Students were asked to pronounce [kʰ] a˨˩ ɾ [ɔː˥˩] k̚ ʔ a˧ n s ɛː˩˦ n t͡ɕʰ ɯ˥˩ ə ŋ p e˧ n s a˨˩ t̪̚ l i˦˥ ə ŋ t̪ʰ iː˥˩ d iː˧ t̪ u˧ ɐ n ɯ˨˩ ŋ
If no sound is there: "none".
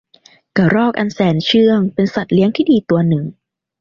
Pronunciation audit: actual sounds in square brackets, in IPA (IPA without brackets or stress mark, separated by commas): k, ɔː˥˩